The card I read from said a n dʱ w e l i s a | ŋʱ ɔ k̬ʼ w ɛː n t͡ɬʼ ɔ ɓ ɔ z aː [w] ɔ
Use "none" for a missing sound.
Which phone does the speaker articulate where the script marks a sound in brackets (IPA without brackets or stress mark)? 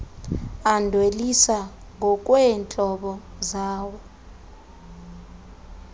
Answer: w